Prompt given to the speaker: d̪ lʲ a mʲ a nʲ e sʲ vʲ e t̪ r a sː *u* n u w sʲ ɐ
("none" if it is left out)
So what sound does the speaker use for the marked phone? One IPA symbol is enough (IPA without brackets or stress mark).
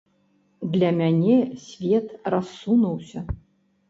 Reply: u